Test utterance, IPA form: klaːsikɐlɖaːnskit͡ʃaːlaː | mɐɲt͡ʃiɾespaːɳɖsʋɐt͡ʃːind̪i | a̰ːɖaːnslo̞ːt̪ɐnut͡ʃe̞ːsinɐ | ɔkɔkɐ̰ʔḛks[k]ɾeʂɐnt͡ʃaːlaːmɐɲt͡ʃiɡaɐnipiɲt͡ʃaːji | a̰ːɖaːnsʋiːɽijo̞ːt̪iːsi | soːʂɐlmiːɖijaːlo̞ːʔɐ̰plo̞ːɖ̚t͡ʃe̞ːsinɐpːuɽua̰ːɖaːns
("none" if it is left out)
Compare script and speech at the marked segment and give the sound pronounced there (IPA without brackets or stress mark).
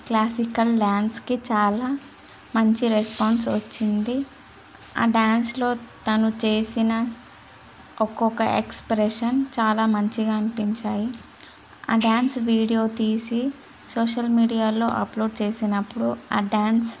p